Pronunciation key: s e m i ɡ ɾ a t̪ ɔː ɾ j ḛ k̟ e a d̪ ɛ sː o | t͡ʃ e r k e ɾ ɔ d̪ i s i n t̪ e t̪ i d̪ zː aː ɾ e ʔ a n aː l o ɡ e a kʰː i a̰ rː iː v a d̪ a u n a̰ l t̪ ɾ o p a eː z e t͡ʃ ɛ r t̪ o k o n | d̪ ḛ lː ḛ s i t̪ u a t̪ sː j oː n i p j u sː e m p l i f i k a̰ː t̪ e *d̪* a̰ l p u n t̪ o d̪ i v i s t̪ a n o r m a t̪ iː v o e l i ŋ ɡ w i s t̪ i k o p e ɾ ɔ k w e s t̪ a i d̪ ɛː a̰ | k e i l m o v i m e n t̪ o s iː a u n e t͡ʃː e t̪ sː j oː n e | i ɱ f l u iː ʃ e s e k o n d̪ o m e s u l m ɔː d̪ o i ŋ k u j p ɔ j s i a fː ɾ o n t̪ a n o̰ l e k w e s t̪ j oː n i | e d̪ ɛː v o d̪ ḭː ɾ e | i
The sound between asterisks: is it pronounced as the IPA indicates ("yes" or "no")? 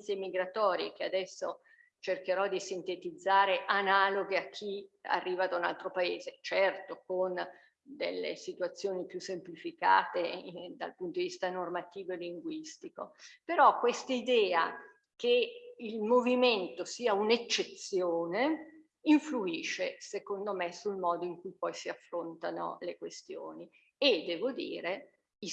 yes